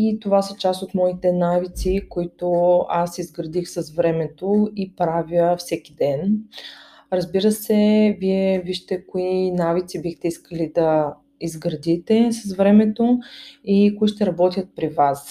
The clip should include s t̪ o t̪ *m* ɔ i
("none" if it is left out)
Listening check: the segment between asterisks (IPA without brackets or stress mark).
m